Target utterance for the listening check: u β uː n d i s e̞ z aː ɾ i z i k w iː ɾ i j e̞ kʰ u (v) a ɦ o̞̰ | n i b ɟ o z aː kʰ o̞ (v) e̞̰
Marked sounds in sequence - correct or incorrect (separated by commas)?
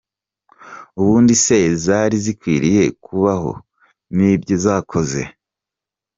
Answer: incorrect, incorrect